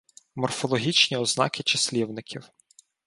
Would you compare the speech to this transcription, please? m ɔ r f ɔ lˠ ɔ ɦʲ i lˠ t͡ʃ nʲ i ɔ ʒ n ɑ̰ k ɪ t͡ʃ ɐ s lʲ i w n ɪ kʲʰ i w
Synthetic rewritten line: m ɔ r f ɔ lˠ ɔ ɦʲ i t͡ʃ nʲ i ɔ z n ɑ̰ k ɪ t͡ʃ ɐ s lʲ i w n ɪ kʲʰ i w